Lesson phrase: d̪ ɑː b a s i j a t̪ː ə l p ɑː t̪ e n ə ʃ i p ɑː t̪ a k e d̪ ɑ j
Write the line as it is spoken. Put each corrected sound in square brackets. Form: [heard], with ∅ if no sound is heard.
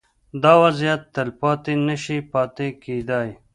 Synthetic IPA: d̪ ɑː [w] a [z] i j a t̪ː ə l p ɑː t̪ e n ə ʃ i p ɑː t̪ [e] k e d̪ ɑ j